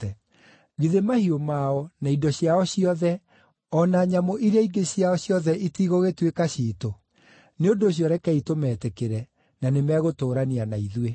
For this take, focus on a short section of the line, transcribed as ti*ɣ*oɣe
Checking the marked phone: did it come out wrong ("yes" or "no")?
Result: no